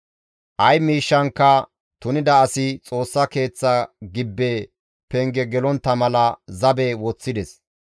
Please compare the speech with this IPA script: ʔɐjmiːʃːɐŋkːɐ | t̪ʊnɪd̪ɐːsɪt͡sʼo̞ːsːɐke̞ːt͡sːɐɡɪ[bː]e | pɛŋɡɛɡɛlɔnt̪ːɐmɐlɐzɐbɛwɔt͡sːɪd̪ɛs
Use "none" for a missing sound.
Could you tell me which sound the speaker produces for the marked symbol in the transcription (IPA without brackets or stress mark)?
bː